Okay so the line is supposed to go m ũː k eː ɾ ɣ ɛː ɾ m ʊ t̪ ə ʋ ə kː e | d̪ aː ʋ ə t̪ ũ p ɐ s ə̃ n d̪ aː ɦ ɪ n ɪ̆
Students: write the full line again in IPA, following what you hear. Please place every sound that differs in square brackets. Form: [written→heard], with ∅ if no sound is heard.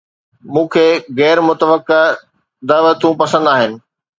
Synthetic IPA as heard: m ũː [k→kʰ] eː [ɾ→∅] ɣ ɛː ɾ m ʊ t̪ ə ʋ ə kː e | d̪ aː ʋ ə t̪ ũ p ɐ s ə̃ n d̪ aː ɦ ɪ n ɪ̆

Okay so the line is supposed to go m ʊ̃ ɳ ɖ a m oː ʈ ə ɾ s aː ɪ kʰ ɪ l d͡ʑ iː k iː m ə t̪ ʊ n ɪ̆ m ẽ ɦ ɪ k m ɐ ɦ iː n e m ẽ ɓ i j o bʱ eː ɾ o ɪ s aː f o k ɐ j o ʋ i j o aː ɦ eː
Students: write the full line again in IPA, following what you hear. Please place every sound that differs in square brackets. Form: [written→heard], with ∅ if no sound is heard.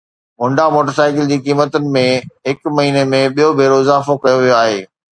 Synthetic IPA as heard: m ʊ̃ ɳ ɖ a m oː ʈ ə ɾ s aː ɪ [kʰ→k] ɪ l d͡ʑ iː k iː m ə t̪ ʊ n ɪ̆ m ẽ ɦ ɪ k m ɐ ɦ iː n e m ẽ ɓ i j o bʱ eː ɾ o ɪ [s→z] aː f o k ɐ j o ʋ i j o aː ɦ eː

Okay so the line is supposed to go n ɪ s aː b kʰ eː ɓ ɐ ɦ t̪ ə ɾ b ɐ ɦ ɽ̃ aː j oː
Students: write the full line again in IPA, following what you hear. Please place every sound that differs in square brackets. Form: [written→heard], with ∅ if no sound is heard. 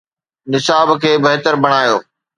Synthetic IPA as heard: n ɪ s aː b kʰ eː [ɓ→b] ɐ ɦ t̪ ə ɾ b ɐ [ɦ→∅] ɽ̃ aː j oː

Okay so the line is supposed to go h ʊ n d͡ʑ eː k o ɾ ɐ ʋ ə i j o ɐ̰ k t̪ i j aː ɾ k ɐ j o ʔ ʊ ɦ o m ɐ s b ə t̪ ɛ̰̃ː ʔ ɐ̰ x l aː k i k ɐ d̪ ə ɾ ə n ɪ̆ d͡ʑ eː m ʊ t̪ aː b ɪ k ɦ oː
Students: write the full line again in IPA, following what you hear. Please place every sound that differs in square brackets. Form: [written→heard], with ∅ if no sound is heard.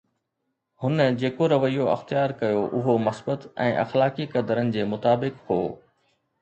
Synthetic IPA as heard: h ʊ n d͡ʑ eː k o ɾ ɐ ʋ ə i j o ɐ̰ [k→x] t̪ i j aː ɾ k ɐ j o ʔ ʊ ɦ o m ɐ s b ə t̪ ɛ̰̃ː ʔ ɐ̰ x l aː k i k ɐ d̪ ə ɾ ə n ɪ̆ d͡ʑ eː m ʊ t̪ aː b ɪ k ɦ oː

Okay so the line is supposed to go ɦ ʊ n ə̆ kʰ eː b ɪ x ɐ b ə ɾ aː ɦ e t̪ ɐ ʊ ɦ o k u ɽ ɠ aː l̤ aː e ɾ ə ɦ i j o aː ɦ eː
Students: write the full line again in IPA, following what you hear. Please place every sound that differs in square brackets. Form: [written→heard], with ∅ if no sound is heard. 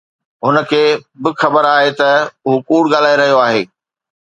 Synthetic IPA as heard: ɦ ʊ n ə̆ kʰ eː b ɪ x ɐ b ə ɾ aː ɦ e t̪ ɐ ʊ ɦ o k [u→uː] ɽ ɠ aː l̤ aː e ɾ [ə→ɐ] ɦ i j o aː ɦ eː

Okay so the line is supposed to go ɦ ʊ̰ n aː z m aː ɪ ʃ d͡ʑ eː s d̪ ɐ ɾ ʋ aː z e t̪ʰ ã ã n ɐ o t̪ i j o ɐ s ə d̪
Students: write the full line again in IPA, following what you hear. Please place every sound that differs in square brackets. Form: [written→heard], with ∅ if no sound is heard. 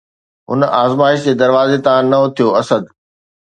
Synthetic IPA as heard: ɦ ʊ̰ n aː z m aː ɪ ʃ d͡ʑ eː [s→∅] d̪ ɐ ɾ ʋ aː z e [t̪ʰ→t̪] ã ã n ɐ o [t̪→t̪ʰ] i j o ɐ s ə d̪

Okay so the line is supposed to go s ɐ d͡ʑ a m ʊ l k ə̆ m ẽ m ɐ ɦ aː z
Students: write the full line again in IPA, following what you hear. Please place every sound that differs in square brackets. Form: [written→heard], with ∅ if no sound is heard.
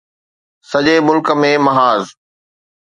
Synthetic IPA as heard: s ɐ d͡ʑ [a→e] m ʊ l k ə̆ m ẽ m ɐ ɦ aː z

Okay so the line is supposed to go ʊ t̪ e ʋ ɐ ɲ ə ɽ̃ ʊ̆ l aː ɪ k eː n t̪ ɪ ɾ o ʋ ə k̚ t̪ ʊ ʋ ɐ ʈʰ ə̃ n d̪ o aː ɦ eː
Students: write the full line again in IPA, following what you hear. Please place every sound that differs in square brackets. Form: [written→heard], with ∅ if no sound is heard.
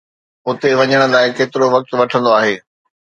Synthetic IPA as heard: ʊ t̪ e ʋ ɐ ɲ ə ɽ̃ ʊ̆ l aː ɪ k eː [n→∅] t̪ ɪ ɾ o ʋ [ə→ɐ] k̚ t̪ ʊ ʋ ɐ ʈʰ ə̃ n d̪ o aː ɦ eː

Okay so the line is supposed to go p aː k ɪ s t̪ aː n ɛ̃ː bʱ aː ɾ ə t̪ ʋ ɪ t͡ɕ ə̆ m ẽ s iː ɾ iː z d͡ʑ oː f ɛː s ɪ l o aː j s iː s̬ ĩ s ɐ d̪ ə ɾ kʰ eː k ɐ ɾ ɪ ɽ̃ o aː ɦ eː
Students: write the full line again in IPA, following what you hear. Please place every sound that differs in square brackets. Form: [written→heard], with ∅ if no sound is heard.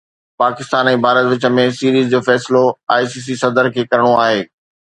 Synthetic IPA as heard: p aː k ɪ s t̪ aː n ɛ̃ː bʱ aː ɾ ə t̪ ʋ ɪ t͡ɕ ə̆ m ẽ s iː ɾ iː z d͡ʑ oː f ɛː s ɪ l o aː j s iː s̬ [ĩ→i] s ɐ d̪ ə ɾ kʰ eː k ɐ ɾ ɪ ɽ̃ o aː ɦ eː

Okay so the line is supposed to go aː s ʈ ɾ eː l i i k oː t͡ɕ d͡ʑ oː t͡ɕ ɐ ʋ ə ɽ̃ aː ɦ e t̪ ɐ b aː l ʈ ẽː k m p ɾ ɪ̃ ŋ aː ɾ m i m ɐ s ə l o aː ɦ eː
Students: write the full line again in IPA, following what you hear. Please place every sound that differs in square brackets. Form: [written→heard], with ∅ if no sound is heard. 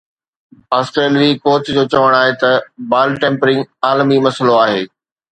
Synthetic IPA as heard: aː s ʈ ɾ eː l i i k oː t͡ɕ d͡ʑ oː t͡ɕ ɐ ʋ ə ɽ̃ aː ɦ e t̪ ɐ b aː l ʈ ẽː [k→∅] m p ɾ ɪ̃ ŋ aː [ɾ→l] m i m ɐ s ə l o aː ɦ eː

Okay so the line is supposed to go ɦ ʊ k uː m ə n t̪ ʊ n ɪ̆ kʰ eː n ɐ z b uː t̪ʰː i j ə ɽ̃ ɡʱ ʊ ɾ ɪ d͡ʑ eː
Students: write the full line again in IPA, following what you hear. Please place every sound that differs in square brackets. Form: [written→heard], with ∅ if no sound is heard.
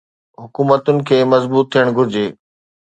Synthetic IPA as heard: ɦ ʊ k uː m ə [n→∅] t̪ ʊ n ɪ̆ kʰ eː [n→m] ɐ z b uː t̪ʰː i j ə ɽ̃ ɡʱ ʊ ɾ ɪ d͡ʑ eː

